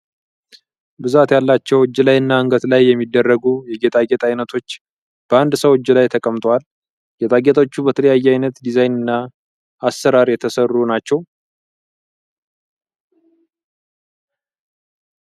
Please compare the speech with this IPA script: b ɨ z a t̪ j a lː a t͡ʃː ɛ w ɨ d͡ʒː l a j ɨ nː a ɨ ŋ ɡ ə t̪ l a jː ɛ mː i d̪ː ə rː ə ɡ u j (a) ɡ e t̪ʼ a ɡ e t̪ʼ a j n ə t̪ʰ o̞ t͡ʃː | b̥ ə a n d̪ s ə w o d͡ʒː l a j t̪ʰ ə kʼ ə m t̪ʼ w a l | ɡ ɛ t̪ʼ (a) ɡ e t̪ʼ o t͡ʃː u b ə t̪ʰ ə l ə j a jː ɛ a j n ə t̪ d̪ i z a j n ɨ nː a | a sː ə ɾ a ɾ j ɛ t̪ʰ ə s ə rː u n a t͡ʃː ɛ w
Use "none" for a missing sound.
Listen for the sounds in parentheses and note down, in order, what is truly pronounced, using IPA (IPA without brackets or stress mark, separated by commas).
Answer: ɛ, a